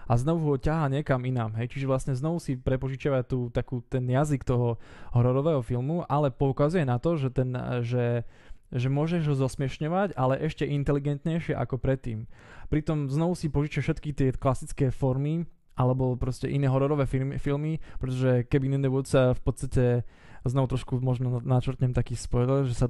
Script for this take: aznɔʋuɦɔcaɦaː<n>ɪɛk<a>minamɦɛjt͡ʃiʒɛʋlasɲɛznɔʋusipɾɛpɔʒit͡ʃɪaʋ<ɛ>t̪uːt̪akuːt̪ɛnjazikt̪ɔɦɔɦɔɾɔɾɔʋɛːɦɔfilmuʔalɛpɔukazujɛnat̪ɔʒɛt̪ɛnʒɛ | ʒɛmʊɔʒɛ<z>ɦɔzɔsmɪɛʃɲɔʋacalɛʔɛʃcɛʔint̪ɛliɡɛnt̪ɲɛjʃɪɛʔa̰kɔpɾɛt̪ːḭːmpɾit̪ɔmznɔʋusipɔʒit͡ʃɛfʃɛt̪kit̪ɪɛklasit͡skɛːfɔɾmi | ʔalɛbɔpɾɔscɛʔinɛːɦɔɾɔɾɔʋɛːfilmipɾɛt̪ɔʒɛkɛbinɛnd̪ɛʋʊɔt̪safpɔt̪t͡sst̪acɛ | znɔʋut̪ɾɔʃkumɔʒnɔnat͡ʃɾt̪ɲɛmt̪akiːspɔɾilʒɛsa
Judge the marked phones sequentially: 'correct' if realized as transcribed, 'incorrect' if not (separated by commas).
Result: incorrect, correct, incorrect, incorrect